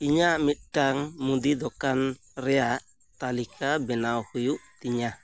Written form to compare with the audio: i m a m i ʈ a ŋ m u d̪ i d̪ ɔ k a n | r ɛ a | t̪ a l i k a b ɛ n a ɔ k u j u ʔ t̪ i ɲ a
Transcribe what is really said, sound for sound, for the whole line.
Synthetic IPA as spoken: i ɲ a m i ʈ a ŋ m u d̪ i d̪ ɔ k a n | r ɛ a | t̪ a l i k a b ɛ n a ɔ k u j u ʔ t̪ i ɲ a